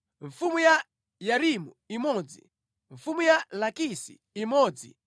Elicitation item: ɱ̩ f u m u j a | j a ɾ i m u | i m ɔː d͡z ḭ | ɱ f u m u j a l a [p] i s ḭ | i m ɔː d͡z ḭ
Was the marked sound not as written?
yes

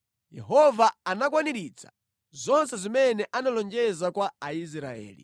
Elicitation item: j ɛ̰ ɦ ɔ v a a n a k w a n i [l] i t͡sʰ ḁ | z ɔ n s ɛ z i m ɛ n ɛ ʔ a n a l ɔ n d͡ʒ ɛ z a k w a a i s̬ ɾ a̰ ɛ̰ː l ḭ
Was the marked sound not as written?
yes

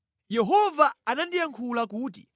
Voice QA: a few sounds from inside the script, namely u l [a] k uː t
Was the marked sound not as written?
no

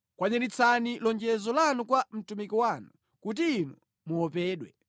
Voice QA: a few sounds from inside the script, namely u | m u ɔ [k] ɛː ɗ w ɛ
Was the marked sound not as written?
yes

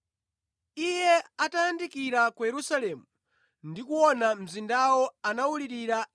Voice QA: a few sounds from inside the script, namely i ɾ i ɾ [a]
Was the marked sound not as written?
no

